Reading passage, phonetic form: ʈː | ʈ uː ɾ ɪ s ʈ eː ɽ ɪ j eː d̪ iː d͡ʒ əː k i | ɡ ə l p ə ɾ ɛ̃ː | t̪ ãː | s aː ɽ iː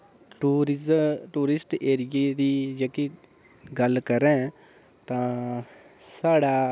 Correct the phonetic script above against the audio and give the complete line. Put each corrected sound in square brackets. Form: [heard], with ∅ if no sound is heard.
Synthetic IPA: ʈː | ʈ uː ɾ ɪ s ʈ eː [ɾ] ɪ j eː d̪ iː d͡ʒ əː k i | ɡ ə l [k] ə ɾ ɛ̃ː | t̪ ãː | s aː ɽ [aː]